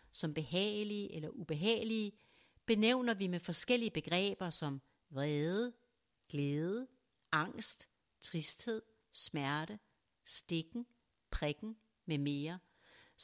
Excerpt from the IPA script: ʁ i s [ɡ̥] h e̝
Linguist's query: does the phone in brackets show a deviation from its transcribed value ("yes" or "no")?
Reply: yes